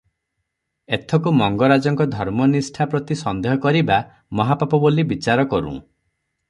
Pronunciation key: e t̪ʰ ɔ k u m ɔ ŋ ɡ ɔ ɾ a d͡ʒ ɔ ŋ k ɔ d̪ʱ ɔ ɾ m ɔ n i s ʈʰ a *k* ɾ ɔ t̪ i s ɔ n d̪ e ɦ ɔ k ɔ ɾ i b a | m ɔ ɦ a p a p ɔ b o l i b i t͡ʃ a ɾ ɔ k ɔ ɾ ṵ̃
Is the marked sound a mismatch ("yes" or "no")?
yes